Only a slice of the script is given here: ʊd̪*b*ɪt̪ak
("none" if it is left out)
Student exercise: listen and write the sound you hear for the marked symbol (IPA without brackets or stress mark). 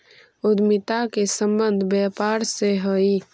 m